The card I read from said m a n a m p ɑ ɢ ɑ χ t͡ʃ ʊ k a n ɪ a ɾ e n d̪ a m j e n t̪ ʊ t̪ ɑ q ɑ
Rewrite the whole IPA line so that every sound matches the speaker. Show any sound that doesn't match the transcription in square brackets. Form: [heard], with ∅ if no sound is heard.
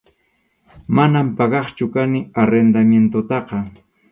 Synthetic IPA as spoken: m a n a m p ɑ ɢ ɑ χ t͡ʃ ʊ k a n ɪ a ɾ e n d̪ a m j e n t̪ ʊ t̪ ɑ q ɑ